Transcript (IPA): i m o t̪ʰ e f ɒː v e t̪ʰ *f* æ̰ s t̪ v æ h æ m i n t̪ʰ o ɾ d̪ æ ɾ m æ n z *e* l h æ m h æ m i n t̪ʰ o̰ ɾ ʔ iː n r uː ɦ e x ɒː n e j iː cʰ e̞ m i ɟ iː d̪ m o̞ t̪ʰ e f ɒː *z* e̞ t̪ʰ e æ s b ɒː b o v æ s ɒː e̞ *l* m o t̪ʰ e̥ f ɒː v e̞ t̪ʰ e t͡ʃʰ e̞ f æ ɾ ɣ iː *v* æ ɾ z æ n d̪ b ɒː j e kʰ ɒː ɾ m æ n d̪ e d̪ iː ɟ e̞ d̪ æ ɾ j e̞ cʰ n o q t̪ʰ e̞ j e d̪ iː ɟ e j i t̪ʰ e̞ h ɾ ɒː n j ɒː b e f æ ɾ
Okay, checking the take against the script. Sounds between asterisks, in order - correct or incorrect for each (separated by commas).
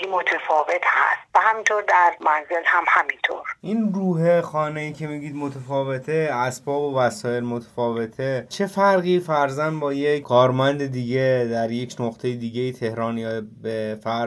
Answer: incorrect, correct, incorrect, correct, incorrect